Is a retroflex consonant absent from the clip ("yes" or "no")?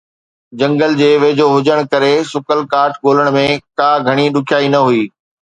no